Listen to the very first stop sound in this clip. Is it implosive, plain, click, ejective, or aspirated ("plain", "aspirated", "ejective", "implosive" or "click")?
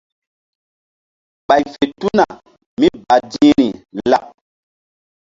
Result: implosive